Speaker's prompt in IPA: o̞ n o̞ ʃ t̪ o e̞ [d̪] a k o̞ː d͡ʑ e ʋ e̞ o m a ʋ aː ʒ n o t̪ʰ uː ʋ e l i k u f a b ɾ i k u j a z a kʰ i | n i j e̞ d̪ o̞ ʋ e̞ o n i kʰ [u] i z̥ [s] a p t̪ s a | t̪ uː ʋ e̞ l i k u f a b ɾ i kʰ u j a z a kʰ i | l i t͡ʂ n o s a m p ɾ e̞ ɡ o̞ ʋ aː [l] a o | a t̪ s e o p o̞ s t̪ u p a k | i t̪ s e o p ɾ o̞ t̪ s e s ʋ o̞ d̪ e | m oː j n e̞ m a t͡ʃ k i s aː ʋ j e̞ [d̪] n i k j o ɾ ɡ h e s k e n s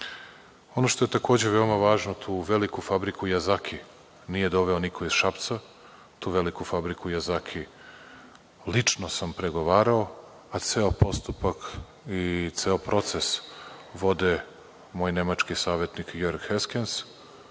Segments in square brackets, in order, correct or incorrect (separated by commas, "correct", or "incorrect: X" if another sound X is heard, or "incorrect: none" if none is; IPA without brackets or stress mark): incorrect: t̪, incorrect: o, incorrect: ʃ, incorrect: ɾ, incorrect: t̪